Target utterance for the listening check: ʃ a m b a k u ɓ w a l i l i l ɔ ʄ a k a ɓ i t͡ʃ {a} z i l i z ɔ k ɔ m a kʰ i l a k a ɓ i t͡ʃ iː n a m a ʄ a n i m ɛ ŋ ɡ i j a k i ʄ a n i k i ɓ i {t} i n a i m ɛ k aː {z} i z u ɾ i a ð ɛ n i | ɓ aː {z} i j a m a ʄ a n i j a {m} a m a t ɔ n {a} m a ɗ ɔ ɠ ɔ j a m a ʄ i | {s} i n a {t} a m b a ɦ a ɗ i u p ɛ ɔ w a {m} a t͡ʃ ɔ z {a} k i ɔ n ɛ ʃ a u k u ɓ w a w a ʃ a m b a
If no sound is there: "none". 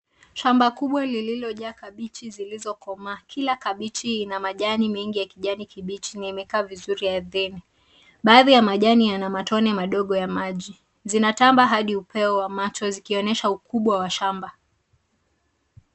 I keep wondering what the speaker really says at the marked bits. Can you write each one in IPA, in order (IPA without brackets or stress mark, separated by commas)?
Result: i, t͡ʃ, v, ð, n, ɛ, z, t, m, i